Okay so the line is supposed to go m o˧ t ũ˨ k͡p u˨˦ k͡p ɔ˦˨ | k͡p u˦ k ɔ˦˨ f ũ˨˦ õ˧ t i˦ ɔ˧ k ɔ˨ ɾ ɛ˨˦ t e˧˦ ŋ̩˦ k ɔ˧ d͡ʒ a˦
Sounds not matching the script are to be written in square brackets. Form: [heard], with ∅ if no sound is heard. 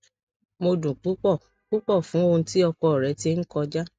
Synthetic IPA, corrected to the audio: m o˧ [d] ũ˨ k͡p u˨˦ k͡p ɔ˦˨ | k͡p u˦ [k͡p] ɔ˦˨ f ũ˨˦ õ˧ t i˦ ɔ˧ k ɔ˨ ɾ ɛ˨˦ t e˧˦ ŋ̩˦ k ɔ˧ d͡ʒ a˦